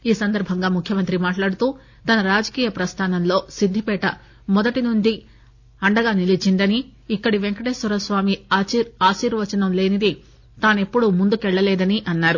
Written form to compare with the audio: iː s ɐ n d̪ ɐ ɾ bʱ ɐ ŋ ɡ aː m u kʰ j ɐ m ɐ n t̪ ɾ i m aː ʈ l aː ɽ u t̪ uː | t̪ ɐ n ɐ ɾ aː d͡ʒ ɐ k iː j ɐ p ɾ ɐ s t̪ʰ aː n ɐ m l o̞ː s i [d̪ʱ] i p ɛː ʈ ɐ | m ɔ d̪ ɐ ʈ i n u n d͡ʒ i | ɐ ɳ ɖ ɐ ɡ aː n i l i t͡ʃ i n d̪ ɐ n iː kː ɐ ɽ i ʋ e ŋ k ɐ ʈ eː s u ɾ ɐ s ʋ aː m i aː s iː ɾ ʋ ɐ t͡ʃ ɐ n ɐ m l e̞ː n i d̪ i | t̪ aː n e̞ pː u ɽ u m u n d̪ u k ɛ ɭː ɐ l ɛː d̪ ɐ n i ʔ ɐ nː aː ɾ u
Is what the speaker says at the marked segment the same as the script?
no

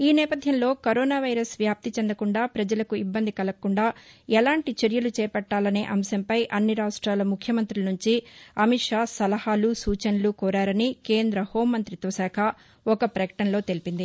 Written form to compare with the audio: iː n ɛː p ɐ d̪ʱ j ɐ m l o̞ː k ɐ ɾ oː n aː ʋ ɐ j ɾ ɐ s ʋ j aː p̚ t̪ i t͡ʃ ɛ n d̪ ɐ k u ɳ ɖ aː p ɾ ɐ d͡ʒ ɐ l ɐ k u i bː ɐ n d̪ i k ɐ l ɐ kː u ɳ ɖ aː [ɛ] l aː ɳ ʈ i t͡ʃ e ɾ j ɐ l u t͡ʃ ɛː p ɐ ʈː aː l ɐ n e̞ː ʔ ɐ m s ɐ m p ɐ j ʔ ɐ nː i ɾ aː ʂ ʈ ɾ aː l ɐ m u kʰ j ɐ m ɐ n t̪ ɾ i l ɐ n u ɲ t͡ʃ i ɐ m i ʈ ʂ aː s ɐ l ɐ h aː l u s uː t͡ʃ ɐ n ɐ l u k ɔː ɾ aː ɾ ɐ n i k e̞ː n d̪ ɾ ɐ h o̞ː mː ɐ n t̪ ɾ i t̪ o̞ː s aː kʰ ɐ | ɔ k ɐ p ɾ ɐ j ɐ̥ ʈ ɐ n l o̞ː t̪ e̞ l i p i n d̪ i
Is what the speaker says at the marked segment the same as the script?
yes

